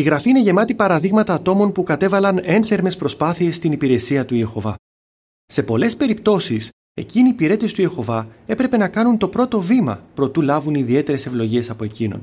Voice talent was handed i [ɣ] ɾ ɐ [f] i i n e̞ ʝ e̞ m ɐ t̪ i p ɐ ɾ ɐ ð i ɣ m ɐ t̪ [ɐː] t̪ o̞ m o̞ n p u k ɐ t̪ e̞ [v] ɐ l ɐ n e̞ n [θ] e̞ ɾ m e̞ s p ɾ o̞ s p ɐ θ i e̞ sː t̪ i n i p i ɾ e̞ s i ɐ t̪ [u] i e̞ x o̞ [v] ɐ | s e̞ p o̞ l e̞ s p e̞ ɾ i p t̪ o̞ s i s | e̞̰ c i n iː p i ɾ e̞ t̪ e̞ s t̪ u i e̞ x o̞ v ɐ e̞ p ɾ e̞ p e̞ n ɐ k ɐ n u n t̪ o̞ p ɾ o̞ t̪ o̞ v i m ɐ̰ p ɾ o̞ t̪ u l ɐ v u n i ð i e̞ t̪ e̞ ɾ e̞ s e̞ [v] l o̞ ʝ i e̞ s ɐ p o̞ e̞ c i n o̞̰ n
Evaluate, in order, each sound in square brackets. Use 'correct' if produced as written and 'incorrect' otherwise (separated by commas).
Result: correct, correct, correct, correct, correct, correct, correct, correct